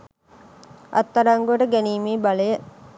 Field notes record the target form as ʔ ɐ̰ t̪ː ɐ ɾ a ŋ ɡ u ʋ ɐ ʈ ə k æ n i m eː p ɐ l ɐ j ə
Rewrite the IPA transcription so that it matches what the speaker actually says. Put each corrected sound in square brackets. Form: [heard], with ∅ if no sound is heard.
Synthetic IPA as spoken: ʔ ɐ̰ t̪ː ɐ ɾ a ŋ ɡ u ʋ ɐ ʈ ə [ɡ] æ n [iː] m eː [b] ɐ l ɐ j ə